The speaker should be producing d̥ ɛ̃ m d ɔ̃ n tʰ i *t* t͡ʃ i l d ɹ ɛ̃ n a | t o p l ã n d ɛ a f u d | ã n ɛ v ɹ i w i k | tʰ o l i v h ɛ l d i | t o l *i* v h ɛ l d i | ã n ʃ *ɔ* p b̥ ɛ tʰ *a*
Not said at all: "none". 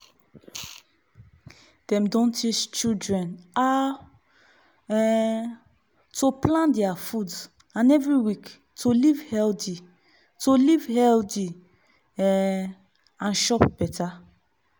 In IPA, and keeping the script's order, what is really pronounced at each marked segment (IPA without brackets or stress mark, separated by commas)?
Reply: t͡ʃ, i, ɔ, a